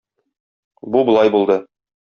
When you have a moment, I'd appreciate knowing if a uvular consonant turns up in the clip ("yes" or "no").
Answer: no